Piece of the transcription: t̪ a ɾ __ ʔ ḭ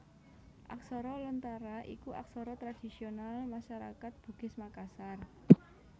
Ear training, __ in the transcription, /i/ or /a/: a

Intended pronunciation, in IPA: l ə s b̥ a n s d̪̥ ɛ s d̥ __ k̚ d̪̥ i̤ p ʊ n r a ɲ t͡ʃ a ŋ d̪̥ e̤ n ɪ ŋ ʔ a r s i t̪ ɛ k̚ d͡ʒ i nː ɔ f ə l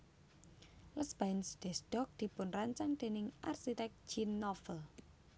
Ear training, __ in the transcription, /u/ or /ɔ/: ɔ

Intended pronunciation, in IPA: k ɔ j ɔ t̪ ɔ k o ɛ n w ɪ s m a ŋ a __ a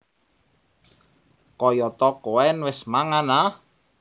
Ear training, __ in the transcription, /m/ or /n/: n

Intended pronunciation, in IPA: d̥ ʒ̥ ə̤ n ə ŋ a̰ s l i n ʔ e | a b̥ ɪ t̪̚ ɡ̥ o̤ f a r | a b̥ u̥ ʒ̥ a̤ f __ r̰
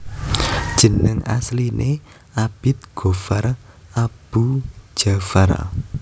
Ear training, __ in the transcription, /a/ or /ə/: a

